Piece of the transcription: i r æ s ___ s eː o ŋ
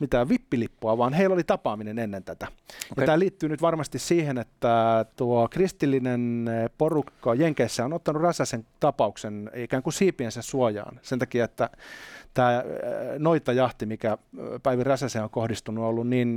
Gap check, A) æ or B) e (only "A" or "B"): A